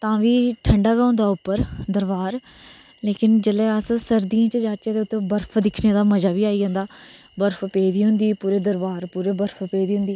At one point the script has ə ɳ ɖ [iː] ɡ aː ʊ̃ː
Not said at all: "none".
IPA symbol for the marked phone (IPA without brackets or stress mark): aː